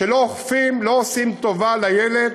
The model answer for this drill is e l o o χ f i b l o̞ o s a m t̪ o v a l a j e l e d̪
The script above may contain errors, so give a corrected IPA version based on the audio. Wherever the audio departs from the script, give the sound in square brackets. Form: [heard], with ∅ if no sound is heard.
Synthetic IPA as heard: e l o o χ f i [m] l o̞ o s [i] m t̪ o v a l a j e l e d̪